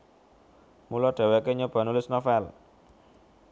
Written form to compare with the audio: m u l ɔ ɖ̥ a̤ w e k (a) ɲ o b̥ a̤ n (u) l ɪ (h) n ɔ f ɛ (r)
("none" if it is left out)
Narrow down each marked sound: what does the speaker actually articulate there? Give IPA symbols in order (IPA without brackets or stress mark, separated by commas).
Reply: e, u, s, l